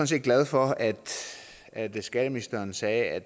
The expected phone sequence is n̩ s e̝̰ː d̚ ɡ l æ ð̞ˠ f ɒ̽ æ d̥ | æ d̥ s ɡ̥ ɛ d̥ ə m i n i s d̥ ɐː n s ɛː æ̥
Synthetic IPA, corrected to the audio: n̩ s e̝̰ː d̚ ɡ l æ ð̞ˠ f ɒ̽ æ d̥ | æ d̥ s ɡ̥ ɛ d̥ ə m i n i s d̥ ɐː n s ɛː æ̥